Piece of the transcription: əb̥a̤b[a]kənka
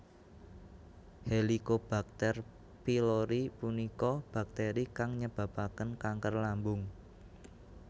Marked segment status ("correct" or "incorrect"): correct